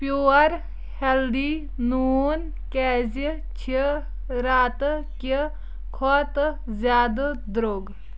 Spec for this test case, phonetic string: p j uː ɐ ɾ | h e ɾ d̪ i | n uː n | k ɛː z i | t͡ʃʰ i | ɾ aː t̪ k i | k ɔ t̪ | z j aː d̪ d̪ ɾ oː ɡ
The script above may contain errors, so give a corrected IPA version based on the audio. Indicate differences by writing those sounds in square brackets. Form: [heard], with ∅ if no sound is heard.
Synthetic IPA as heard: p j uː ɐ ɾ | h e [l] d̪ i | n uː n | k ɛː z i | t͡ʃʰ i | ɾ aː t̪ k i | [kʰ] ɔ t̪ | z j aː d̪ d̪ ɾ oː ɡ

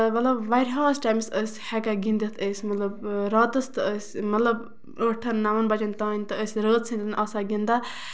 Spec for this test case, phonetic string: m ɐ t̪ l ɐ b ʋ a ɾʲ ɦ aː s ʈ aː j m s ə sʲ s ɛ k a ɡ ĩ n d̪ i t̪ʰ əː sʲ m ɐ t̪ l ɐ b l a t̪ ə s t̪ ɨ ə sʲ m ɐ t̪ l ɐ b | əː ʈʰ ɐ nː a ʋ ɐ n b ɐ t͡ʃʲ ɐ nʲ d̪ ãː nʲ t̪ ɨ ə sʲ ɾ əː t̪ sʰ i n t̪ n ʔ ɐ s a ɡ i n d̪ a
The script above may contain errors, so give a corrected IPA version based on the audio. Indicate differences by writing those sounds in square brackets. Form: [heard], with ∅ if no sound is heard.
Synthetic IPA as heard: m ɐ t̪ l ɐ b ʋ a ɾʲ ɦ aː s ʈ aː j m s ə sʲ [h] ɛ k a ɡ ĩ n d̪ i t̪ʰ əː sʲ m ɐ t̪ l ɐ b [ɾ] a t̪ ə s t̪ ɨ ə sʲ m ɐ t̪ l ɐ b | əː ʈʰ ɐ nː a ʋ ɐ n b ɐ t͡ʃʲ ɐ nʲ [t̪] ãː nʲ t̪ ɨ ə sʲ ɾ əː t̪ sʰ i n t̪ n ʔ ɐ s a ɡ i n d̪ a

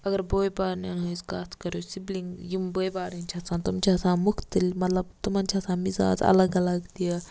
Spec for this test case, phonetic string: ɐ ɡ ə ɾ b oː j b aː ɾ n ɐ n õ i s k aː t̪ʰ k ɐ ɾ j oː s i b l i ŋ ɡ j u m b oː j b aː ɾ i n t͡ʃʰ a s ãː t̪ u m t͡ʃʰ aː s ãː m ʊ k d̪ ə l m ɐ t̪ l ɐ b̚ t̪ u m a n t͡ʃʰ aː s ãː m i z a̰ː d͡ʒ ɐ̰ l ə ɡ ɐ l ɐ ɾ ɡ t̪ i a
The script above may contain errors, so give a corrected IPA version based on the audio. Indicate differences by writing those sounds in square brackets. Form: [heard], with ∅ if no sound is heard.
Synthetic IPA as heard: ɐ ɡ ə ɾ b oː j b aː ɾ n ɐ n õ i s k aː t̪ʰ k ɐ ɾ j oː s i b l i ŋ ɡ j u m b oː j b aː ɾ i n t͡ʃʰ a s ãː t̪ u m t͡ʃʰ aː s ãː m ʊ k [t̪] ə l m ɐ t̪ l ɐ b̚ t̪ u m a n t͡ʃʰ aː s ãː m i z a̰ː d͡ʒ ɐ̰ l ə ɡ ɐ l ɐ [∅] ɡ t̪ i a

